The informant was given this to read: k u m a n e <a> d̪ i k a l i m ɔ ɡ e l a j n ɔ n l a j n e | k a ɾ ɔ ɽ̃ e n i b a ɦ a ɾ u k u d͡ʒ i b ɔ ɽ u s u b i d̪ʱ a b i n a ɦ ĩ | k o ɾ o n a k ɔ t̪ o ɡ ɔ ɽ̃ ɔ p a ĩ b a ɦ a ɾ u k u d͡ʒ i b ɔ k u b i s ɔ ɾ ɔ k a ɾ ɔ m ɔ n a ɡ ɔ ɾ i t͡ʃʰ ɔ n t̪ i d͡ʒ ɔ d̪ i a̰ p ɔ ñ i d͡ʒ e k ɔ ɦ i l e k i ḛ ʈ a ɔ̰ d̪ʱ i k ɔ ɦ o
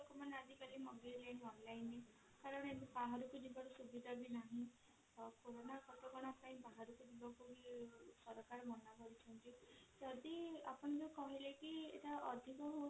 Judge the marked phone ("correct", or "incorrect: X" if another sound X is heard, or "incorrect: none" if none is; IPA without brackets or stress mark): correct